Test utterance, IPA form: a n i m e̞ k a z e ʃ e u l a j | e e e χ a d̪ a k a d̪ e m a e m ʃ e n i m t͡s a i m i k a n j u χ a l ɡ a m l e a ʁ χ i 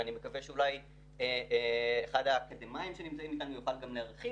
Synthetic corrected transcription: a n i m e̞ k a v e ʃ e u l a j | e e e χ a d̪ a k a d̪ e m a i m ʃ e n i m t͡s a i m i k a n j u χ a l ɡ a m l e a ʁ χ i